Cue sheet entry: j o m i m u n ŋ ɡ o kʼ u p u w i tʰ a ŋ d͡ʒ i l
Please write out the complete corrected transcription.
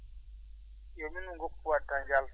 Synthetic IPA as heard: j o m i n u ŋ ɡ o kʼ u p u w a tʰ a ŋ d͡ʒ a l

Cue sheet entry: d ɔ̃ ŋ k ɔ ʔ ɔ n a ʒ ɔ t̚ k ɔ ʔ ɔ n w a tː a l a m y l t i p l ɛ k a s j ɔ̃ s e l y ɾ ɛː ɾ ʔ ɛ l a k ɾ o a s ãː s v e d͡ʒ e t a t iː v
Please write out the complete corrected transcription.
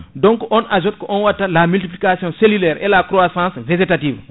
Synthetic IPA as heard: d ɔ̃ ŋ k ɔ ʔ ɔ n a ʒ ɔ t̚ k ɔ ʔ ɔ n w a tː a l a m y l t i p l i k a s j ɔ̃ s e l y l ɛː ɾ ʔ ɛ l a k ɾ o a s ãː s v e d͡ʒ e t a t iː v

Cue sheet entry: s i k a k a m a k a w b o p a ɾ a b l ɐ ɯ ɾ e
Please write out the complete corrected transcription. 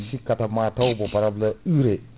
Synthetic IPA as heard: s i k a t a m a t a w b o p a ɾ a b l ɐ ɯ ɾ e

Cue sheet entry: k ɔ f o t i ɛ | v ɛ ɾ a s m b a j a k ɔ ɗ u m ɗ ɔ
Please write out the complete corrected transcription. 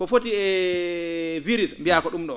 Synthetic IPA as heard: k ɔ f o t i ɛ | v i ɾ i s m b i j a k ɔ ɗ u m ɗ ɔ

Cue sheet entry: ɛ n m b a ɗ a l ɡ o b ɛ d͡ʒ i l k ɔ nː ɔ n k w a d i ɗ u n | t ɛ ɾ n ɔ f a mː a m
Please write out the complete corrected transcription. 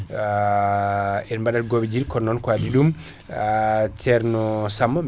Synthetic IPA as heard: ɛ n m b a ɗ a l ɡ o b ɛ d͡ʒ i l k ɔ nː ɔ n k w a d i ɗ u m | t ɛ ɾ n ɔ s a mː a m

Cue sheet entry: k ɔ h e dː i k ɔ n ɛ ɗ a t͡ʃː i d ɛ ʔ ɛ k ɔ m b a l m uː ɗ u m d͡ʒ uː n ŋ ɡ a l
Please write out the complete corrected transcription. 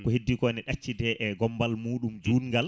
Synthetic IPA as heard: k ɔ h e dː i k ɔ n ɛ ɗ a t͡ʃː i d ɛ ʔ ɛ ɡ ɔ m b a l m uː ɗ u m d͡ʒ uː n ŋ ɡ a l

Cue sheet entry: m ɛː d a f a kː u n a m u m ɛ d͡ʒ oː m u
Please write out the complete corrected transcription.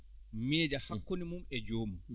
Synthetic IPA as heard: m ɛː d͡ʒ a h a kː o n i m u m ɛ d͡ʒ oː m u

